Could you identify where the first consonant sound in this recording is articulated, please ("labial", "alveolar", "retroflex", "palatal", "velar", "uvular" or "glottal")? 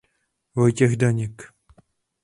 labial